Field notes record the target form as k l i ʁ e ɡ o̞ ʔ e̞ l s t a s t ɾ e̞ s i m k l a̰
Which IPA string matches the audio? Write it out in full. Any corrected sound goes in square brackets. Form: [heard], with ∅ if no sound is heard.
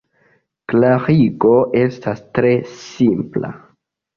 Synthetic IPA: k l [a] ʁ [i] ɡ o̞ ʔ e̞ [∅] s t a s t ɾ e̞ s i m [p] l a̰